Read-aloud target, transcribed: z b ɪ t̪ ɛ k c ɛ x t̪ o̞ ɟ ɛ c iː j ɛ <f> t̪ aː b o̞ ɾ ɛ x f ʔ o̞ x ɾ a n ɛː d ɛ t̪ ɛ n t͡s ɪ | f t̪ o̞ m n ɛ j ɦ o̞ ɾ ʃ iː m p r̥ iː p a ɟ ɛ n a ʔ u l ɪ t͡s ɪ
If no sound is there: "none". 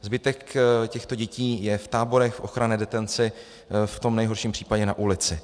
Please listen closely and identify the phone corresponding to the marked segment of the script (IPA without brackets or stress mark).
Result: f